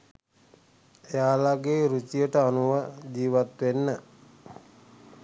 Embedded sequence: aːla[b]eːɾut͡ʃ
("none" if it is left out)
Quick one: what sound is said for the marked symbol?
ɡ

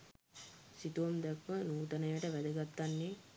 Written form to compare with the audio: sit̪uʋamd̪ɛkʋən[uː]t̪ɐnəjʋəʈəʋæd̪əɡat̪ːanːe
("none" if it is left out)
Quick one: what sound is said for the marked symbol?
uː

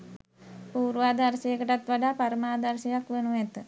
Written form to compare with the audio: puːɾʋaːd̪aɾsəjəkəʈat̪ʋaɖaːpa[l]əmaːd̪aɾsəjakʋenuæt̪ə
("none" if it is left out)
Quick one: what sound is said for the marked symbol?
ɾ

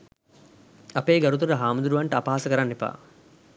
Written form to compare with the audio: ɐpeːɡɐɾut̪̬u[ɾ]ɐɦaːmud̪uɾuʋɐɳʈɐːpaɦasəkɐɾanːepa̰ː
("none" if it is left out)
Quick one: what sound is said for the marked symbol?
ɾ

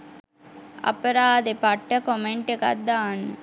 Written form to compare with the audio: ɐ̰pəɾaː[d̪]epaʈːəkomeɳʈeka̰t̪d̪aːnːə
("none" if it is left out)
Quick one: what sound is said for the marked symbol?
d̪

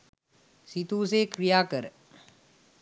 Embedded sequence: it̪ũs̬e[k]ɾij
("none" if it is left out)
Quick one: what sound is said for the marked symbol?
k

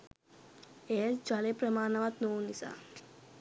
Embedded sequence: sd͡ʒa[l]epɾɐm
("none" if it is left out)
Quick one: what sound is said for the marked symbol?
l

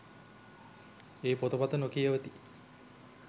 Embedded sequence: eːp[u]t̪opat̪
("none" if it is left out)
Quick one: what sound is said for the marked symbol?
o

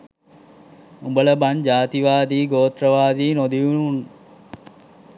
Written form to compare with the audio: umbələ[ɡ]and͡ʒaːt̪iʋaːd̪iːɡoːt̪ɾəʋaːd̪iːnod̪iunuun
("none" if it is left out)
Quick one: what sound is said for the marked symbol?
b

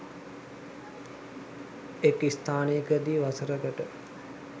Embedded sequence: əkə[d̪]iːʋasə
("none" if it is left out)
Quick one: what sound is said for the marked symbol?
d̪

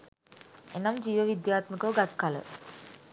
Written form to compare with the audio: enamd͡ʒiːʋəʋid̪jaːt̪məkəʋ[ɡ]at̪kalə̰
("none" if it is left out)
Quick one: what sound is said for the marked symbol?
ɡ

